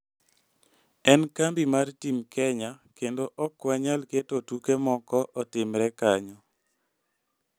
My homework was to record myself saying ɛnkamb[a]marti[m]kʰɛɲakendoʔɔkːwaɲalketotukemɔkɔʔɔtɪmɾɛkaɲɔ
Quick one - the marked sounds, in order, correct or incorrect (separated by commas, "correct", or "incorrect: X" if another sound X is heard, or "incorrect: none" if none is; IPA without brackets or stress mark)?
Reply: incorrect: i, correct